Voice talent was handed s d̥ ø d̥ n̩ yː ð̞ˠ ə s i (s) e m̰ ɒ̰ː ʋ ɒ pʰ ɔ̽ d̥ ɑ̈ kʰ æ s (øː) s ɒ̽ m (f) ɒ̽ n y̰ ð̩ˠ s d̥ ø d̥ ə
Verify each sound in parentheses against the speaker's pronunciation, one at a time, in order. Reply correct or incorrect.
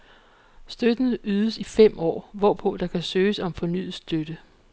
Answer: incorrect, correct, correct

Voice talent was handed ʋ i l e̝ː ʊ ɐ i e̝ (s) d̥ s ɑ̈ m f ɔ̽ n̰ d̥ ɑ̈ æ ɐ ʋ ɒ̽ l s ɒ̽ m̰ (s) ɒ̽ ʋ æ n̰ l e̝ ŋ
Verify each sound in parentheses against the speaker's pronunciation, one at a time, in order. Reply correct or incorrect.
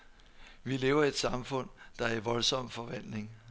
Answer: incorrect, incorrect

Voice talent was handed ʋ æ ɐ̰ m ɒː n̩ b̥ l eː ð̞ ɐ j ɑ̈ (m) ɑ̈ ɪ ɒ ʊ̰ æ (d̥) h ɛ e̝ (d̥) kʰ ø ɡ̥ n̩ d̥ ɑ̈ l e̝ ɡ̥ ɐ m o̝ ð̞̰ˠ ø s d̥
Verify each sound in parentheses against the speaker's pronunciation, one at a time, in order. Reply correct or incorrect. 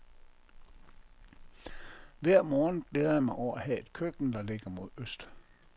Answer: correct, incorrect, correct

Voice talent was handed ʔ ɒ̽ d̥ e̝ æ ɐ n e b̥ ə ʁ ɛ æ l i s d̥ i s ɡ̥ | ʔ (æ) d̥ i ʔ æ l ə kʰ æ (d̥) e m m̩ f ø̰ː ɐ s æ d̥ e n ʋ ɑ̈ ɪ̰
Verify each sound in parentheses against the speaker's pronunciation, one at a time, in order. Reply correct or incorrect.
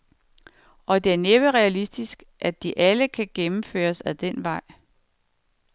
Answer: correct, incorrect

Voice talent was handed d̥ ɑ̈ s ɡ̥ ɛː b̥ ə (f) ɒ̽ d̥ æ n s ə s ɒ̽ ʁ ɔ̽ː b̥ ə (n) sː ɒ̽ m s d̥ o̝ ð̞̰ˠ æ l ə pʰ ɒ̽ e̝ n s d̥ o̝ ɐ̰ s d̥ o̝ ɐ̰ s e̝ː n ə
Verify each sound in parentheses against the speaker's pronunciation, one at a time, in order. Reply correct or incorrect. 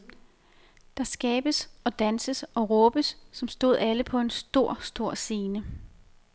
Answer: incorrect, incorrect

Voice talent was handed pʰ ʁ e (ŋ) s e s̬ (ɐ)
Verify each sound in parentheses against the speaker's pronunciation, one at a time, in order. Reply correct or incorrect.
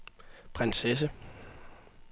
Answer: incorrect, incorrect

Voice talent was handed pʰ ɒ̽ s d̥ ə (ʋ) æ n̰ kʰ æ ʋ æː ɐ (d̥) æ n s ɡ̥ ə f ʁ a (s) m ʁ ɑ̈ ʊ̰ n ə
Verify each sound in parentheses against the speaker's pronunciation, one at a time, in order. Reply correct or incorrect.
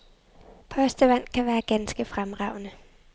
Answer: correct, incorrect, incorrect

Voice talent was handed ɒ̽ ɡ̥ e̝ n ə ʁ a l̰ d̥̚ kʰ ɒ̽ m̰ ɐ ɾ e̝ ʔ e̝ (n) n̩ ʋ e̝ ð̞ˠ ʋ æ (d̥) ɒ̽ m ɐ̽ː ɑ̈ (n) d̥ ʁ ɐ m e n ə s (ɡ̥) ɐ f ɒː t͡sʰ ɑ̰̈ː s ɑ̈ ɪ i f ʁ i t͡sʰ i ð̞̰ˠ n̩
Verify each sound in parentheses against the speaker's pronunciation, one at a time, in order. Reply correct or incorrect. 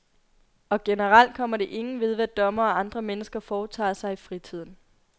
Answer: incorrect, correct, correct, correct

